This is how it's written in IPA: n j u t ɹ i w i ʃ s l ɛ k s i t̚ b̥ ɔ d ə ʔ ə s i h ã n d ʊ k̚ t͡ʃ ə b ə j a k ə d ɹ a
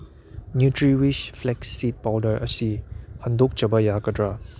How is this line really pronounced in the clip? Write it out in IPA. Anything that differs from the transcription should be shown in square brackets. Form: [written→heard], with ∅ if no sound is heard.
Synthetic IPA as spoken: n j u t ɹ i w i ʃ [s→f] l ɛ k s i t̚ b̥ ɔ d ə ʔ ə s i h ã n d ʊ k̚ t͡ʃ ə b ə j a k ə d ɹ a